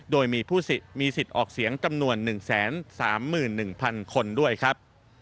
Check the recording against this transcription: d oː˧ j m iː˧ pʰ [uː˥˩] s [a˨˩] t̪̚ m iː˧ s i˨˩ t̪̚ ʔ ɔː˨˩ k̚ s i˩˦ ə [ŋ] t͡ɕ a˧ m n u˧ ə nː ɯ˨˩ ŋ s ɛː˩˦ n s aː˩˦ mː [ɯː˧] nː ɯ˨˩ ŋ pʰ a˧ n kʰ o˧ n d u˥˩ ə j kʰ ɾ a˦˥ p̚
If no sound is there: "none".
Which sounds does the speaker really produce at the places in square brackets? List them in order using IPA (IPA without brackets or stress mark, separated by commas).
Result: uː˥˩, i˨˩, ŋ, ɯː˨˩